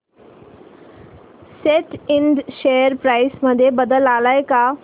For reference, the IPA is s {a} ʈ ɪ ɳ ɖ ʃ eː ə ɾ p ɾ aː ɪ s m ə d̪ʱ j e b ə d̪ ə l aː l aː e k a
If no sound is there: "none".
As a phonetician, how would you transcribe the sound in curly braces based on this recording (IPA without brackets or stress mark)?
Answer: e